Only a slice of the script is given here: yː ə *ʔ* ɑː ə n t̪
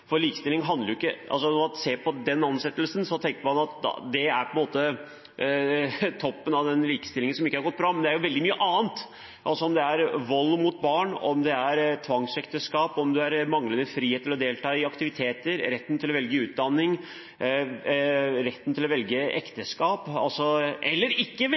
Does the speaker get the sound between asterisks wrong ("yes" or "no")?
no